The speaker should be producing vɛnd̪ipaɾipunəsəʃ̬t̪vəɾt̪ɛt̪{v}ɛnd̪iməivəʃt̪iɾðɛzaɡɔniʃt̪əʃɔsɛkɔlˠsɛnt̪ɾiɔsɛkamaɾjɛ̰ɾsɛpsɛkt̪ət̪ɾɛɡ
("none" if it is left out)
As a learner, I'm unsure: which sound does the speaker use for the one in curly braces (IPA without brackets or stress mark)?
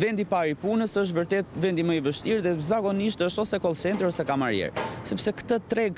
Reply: v